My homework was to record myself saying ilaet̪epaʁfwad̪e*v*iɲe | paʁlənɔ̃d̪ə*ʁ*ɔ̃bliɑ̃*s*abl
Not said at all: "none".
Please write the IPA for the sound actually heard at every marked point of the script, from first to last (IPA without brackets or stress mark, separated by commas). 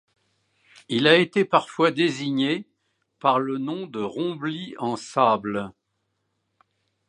z, ʁ, s